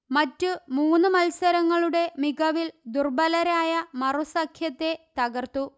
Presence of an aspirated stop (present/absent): present